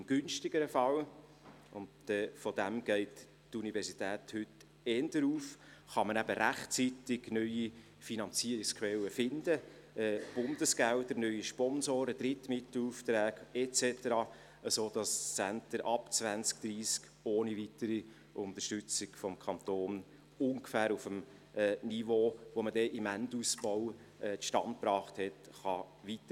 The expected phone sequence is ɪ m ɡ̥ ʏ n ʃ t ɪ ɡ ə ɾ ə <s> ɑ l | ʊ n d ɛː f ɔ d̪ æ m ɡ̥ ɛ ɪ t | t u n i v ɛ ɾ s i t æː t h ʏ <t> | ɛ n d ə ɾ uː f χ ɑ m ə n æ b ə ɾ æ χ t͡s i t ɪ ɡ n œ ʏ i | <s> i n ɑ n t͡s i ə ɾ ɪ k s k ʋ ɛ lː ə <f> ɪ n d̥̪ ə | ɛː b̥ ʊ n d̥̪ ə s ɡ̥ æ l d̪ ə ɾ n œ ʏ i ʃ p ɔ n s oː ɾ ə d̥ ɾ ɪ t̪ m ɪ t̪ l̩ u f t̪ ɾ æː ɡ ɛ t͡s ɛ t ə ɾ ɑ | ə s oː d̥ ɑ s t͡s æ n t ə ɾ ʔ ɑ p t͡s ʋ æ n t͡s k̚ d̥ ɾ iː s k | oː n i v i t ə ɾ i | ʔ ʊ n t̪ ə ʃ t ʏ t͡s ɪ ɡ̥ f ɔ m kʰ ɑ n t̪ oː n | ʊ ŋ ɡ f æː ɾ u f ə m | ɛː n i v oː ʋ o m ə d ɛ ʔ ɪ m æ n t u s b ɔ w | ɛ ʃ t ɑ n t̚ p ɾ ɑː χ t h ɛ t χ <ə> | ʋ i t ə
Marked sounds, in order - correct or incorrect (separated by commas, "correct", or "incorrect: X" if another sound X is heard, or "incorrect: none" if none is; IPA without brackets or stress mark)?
incorrect: f, correct, incorrect: f, correct, incorrect: ɑ